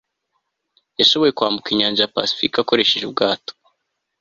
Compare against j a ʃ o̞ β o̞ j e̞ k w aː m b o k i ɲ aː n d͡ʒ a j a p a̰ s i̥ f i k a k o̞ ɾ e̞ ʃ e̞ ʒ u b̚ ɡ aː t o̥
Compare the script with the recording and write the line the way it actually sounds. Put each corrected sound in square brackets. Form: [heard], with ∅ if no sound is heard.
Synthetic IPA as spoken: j a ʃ o̞ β o̞ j e̞ k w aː m b [u] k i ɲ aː n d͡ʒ a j a p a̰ s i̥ f i k a k o̞ ɾ e̞ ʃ e̞ ʒ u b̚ ɡ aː t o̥